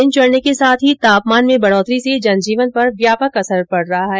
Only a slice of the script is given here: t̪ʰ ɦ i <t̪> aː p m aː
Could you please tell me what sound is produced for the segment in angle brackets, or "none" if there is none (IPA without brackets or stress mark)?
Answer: t̪